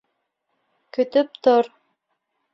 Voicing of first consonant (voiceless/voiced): voiceless